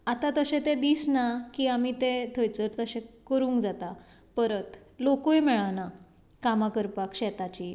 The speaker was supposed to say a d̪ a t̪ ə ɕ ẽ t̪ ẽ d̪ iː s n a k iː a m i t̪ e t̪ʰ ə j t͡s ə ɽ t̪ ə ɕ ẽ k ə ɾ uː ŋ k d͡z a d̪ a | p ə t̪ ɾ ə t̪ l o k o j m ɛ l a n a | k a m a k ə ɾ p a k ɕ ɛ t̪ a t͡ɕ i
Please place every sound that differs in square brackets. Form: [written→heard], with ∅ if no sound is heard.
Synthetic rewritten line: a [d̪→t̪] a t̪ ə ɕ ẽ t̪ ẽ d̪ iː s n a k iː a m i t̪ e t̪ʰ ə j t͡s ə [ɽ→ɾ] t̪ ə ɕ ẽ k ə ɾ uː ŋ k d͡z a [d̪→t̪] a | p ə [t̪→∅] ɾ ə t̪ l o k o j m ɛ [l→ɭ] a n a | k a m a k ə ɾ p a k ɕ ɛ t̪ a t͡ɕ i